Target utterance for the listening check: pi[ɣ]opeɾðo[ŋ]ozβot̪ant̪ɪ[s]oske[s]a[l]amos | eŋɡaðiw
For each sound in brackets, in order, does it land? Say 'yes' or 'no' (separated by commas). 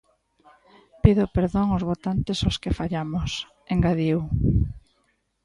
no, yes, yes, no, no